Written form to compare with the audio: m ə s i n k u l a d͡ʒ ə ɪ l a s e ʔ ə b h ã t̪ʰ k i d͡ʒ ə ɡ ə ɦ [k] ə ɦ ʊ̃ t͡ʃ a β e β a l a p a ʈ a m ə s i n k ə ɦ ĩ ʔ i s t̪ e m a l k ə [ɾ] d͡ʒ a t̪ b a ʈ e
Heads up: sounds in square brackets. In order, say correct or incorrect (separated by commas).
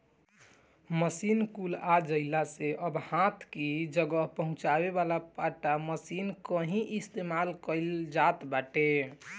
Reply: incorrect, incorrect